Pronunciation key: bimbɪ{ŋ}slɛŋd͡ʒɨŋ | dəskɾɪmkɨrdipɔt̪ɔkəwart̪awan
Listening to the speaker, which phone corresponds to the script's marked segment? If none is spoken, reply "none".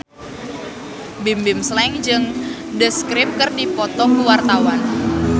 m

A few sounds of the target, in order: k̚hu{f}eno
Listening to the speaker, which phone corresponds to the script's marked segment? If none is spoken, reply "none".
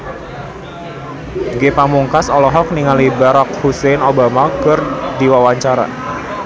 s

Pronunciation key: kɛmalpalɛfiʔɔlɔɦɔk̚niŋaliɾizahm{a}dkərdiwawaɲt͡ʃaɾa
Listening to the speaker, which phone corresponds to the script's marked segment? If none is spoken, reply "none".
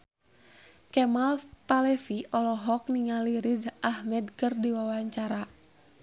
ɛ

